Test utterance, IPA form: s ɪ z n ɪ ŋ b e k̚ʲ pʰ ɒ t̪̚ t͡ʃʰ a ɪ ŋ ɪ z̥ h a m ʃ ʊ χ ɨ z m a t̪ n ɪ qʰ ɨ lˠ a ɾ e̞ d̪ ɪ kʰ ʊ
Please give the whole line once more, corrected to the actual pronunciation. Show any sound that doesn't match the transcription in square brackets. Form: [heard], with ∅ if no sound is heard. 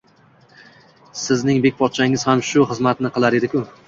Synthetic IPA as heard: s ɪ z n ɪ ŋ b e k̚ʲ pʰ ɒ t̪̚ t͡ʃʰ a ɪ ŋ ɪ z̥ h a m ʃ ʊ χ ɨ z m a t̪ n ɪ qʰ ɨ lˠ a ɾ e̞ d̪ ɪ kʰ ʊ